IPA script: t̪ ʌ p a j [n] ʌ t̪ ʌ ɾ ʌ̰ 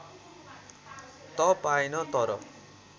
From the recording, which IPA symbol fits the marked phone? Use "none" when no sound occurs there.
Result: n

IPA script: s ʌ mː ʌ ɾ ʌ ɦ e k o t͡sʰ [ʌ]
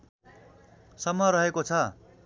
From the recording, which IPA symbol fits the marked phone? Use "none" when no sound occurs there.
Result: ʌ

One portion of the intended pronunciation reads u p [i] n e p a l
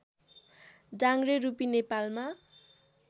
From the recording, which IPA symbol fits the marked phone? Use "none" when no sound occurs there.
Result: i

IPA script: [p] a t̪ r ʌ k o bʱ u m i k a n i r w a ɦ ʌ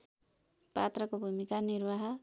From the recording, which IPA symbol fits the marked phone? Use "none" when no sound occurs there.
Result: p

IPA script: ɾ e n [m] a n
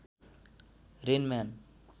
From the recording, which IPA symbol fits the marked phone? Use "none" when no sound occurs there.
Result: m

